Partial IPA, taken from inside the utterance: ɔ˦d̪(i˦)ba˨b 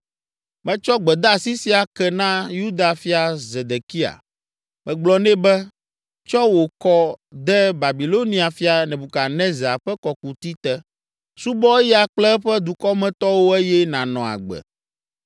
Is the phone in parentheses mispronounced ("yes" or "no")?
yes